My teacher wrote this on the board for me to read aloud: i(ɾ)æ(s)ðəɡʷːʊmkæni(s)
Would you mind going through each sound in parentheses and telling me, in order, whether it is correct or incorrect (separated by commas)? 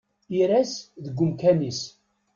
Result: correct, correct, correct